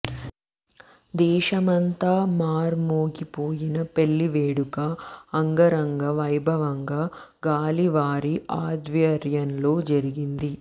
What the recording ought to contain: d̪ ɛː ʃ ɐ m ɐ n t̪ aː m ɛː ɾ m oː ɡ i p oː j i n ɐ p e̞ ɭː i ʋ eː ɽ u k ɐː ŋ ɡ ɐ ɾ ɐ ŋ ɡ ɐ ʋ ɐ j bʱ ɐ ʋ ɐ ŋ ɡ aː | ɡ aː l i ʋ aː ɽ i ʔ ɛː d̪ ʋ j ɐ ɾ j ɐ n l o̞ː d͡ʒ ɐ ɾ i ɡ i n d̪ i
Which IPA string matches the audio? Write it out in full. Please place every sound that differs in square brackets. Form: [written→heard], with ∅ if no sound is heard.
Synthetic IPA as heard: d̪ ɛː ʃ ɐ m ɐ n t̪ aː m [ɛː→aː] ɾ m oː ɡ i p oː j i n ɐ p e̞ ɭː i ʋ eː ɽ u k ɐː ŋ ɡ ɐ ɾ ɐ ŋ ɡ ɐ ʋ ɐ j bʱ ɐ ʋ ɐ ŋ ɡ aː | ɡ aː l i ʋ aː [ɽ→ɾ] i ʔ [ɛː→aː] d̪ ʋ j ɐ ɾ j ɐ n l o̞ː d͡ʒ ɐ ɾ i ɡ i n d̪ i